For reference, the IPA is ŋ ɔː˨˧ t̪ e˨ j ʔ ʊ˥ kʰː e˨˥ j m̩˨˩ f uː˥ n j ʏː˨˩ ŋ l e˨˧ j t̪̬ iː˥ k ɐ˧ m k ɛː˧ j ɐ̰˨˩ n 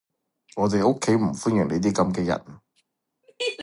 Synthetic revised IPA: ŋ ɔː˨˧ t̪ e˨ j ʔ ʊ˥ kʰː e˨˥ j m̩˨˩ f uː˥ n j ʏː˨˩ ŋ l e˨˧ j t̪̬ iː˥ k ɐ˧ m k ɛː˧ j ɐ̰˨˩ n

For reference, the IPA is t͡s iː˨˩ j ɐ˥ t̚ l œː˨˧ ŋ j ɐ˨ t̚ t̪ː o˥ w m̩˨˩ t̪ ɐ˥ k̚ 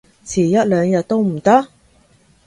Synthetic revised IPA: t͡sʰ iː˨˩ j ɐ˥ t̚ l œː˨˧ ŋ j ɐ˨ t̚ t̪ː o˥ w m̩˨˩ t̪ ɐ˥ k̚

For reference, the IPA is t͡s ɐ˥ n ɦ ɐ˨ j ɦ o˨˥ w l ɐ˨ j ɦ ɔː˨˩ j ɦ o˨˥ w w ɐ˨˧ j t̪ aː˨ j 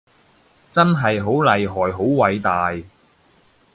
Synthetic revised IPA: t͡s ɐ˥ n ɦ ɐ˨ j ɦ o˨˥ w l ɐ˨ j ɦ ɔː˨˩ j ɦ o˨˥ w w ɐ˨˧ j t̪ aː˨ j

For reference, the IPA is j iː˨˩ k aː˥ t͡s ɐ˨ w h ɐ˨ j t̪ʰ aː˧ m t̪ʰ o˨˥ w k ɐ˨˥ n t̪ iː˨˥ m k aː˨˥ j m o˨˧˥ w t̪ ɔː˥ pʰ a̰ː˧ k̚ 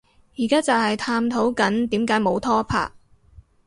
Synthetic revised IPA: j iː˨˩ k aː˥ t͡s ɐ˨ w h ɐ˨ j t̪ʰ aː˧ m t̪ʰ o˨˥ w k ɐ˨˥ n t̪ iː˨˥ m k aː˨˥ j m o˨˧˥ w t̪ʰ ɔː˥ pʰ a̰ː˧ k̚

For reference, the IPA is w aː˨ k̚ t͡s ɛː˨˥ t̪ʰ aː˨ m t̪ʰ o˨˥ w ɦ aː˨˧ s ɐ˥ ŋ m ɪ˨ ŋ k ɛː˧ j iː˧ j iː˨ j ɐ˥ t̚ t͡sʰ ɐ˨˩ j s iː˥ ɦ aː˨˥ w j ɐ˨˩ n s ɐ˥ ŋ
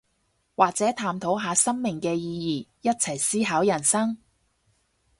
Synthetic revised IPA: w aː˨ k̚ t͡s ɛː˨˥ t̪ʰ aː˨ m t̪ʰ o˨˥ w ɦ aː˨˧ s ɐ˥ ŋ m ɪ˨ ŋ k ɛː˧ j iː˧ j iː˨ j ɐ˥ t̚ t͡sʰ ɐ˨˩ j s iː˥ ɦ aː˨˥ w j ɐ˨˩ n s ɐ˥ ŋ

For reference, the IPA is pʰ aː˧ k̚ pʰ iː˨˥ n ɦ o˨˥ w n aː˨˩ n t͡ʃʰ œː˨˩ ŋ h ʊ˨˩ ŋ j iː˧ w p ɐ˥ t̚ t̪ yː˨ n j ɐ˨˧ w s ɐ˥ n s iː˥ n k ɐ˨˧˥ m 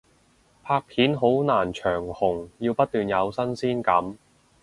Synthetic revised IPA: pʰ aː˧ k̚ pʰ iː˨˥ n ɦ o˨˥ w n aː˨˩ n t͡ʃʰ œː˨˩ ŋ h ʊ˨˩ ŋ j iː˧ w p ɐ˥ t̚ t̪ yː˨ n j ɐ˨˧ w s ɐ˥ n s iː˥ n k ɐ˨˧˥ m

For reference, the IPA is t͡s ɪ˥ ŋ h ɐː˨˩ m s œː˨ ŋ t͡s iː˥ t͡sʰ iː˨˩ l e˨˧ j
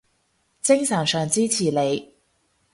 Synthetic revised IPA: t͡s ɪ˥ ŋ s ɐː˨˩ ŋ s œː˨ ŋ t͡s iː˥ t͡sʰ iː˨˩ l e˨˧ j

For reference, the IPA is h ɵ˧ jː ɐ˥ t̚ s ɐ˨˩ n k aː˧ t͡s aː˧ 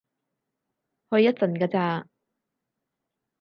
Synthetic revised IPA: h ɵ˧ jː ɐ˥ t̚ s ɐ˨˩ n k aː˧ t͡s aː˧

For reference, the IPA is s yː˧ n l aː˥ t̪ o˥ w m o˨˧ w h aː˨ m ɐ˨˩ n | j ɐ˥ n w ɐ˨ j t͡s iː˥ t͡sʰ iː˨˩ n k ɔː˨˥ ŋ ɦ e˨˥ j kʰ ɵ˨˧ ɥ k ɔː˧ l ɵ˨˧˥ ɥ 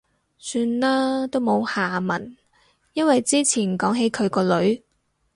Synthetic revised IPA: s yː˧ n l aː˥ t̪ o˥ w m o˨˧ w h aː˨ m ɐ˨˩ n | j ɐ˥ n w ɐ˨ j t͡s iː˥ t͡sʰ iː˨˩ n k ɔː˨˥ ŋ ɦ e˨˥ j kʰ ɵ˨˧ ɥ k ɔː˧ l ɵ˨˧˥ ɥ

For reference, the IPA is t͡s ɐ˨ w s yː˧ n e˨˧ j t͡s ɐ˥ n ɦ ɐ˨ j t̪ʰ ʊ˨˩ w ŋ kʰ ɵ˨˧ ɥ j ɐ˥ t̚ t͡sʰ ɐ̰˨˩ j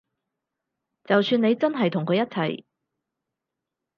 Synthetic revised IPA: t͡s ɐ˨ w s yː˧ n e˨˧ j t͡s ɐ˥ n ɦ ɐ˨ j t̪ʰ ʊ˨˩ ŋ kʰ ɵ˨˧ ɥ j ɐ˥ t̚ t͡sʰ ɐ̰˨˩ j

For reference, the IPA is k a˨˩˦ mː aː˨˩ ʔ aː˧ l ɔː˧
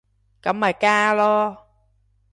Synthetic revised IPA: k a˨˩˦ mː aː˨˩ k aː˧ l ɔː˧

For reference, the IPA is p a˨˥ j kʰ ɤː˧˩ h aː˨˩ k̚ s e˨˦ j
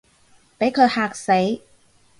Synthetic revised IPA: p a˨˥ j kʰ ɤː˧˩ h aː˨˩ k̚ s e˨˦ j

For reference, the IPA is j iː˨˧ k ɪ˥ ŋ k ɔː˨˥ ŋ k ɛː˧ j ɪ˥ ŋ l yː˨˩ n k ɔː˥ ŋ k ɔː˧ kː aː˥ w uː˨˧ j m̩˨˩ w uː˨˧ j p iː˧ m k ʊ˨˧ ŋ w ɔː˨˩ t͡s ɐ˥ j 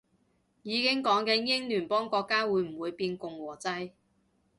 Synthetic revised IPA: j iː˨˧ k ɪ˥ ŋ k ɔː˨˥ ŋ k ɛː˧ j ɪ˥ ŋ l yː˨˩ n p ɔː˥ ŋ k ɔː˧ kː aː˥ w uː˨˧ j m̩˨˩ w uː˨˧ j p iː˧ n k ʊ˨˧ ŋ w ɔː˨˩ t͡s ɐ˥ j

